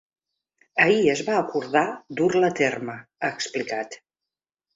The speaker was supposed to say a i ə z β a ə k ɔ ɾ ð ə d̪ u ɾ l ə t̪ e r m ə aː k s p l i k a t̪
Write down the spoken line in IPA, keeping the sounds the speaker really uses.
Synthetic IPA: ə i ə z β a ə k u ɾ ð a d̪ u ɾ l ə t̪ e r m ə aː k s p l i k a t̪